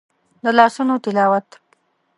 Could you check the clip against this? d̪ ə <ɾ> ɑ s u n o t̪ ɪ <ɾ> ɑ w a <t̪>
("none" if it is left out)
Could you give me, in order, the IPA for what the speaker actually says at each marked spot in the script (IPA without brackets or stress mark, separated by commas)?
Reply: l, l, t̪